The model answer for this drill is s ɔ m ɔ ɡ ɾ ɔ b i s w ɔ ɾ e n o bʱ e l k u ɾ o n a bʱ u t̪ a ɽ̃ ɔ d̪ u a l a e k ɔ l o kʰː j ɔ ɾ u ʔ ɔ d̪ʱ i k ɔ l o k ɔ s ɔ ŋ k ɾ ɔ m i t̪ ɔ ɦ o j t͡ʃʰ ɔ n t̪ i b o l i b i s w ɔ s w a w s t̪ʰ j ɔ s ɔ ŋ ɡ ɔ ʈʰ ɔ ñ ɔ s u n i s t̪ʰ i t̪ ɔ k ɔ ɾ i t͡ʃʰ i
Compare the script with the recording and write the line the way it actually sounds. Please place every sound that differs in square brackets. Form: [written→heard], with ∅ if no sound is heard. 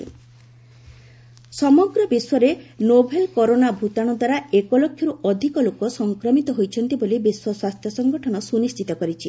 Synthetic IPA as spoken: s ɔ m ɔ ɡ ɾ ɔ b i s w ɔ ɾ e n o bʱ e l k [u→ɔ] ɾ o n a bʱ u t̪ a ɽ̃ ɔ d̪ [u→w] a [l→ɾ] a e k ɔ l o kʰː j ɔ ɾ u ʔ ɔ d̪ʱ i k ɔ l o k ɔ s ɔ ŋ k ɾ ɔ m i t̪ ɔ ɦ o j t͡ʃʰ ɔ n t̪ i b o l i b i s w ɔ s w a [w→∅] s t̪ʰ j ɔ s ɔ ŋ ɡ ɔ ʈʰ ɔ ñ ɔ s u n i s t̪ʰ i t̪ ɔ k ɔ ɾ i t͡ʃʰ i